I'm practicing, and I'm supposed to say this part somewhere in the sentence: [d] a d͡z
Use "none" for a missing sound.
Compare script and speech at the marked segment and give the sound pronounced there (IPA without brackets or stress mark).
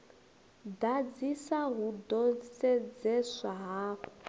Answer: d